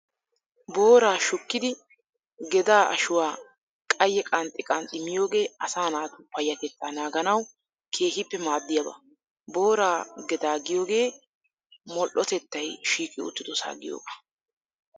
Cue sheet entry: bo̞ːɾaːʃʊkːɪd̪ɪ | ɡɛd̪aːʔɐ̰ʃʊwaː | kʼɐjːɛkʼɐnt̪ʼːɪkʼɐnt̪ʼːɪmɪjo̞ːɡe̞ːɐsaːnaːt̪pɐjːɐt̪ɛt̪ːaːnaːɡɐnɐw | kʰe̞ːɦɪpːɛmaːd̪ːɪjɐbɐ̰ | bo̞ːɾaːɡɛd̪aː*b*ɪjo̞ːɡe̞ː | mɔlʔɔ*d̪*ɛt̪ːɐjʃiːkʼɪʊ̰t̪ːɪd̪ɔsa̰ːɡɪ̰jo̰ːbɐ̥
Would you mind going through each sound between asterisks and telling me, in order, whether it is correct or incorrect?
incorrect: ɡ, incorrect: t̪

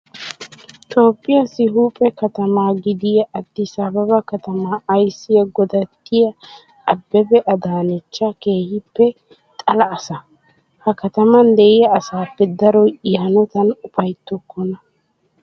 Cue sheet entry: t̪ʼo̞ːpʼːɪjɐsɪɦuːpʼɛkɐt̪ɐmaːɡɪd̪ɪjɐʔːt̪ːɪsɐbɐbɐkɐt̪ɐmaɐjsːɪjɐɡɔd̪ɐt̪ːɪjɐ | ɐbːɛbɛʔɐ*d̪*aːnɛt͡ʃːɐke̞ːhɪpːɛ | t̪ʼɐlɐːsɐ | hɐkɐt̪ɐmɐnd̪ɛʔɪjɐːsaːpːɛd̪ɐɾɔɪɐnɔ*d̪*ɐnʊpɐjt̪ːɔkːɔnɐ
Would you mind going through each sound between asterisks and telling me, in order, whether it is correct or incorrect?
correct, incorrect: t̪

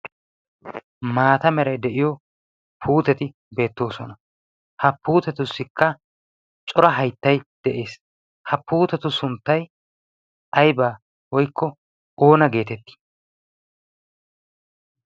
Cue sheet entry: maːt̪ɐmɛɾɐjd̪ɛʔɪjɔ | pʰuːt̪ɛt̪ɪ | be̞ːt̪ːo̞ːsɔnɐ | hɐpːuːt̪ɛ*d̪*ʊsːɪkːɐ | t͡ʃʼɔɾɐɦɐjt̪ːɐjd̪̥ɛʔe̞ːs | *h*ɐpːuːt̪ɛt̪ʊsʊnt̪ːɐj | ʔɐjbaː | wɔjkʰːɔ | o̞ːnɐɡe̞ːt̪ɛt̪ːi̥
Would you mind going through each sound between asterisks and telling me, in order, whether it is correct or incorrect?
incorrect: t̪, correct

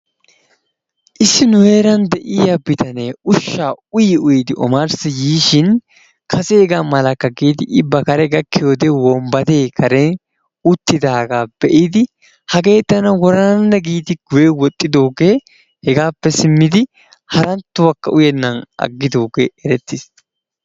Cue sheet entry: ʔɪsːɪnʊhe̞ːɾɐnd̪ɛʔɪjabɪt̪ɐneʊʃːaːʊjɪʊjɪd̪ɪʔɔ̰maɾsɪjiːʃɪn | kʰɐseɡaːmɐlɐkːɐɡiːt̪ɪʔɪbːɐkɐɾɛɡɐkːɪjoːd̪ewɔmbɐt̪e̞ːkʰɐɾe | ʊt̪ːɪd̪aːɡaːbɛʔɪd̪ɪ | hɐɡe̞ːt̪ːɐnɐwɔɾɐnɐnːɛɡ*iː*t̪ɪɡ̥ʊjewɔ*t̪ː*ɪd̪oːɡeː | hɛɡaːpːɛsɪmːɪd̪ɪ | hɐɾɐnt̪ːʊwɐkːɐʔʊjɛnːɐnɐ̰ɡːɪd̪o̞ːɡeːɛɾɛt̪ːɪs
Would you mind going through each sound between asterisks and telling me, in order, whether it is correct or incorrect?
correct, incorrect: t̪ʼː

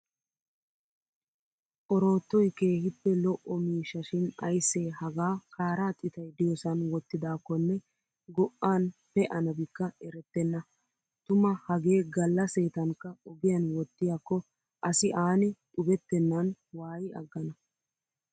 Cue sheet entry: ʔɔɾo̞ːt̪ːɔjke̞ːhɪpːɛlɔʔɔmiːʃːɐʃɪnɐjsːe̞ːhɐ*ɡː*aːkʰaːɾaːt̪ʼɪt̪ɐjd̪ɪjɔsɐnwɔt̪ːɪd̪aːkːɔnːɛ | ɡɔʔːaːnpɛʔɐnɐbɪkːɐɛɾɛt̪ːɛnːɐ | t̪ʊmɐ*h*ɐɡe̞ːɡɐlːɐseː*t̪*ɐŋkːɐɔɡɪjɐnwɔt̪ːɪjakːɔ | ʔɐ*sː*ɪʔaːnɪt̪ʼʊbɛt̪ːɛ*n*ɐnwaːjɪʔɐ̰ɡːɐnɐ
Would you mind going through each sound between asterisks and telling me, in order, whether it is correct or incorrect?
incorrect: ɡ, correct, correct, incorrect: s, incorrect: nː

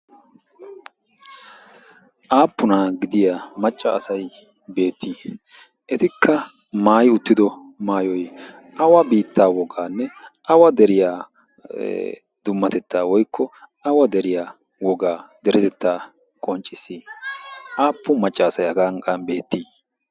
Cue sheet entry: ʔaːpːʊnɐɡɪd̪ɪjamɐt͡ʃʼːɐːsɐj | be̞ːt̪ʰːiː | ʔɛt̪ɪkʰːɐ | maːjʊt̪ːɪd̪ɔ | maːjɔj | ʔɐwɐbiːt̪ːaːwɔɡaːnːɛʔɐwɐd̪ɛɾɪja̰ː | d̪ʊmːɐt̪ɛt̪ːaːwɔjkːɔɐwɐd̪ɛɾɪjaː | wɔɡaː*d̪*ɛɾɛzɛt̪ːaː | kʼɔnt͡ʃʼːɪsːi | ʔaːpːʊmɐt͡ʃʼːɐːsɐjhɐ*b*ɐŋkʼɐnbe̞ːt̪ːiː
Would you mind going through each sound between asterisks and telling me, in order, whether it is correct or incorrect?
correct, incorrect: ɡ

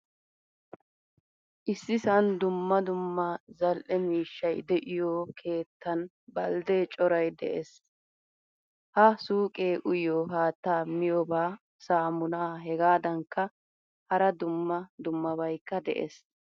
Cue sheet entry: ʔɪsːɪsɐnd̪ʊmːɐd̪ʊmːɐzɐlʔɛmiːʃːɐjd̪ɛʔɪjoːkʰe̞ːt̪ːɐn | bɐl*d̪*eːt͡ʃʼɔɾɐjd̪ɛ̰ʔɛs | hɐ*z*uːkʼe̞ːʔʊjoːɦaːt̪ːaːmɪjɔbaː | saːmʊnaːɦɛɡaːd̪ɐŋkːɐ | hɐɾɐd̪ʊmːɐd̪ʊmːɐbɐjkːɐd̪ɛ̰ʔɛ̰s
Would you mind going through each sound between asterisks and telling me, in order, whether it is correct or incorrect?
correct, incorrect: s

